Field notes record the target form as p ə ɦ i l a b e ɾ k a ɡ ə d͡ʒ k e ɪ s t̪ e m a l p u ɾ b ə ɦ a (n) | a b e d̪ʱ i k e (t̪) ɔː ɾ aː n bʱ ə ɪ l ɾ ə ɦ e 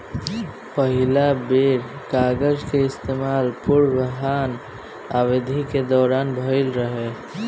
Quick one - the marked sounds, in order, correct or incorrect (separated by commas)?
correct, incorrect